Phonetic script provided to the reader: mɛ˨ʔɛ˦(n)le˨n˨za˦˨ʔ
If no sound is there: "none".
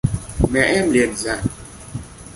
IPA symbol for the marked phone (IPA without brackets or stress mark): m